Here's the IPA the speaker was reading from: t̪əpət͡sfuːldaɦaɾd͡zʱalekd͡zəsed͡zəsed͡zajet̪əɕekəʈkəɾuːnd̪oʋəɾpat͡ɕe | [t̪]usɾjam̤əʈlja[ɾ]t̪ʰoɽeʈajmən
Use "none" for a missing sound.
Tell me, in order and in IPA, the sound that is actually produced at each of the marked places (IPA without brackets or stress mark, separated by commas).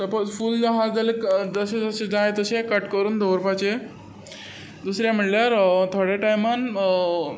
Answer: d̪, ɾ